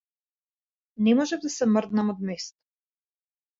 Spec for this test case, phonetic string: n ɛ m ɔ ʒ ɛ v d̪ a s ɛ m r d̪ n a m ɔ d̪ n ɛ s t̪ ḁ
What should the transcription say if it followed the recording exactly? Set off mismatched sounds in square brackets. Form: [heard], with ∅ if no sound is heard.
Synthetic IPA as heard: n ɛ m ɔ ʒ ɛ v d̪ a s ɛ m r d̪ n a m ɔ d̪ [m] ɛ s t̪ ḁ